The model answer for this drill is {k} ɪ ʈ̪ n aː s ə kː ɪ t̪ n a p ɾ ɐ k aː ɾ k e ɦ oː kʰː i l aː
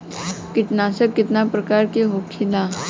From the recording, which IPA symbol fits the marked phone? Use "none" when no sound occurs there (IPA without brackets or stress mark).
k